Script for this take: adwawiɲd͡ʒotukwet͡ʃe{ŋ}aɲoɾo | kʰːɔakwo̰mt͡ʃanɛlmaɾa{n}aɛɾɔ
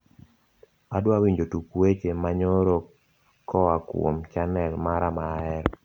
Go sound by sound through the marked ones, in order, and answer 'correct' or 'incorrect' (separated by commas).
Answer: incorrect, incorrect